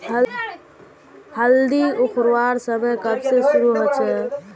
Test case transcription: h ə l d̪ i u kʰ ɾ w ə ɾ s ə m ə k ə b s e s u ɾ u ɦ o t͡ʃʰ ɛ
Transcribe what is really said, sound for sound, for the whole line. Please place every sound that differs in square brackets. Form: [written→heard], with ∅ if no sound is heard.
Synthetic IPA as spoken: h ə l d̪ i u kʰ ɾ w [ə→a] ɾ s ə m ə k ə b s e s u ɾ u ɦ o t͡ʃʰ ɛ